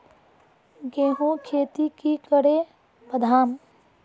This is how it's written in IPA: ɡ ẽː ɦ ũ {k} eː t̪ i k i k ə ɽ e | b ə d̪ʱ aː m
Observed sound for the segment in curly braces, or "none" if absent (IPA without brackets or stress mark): kʰ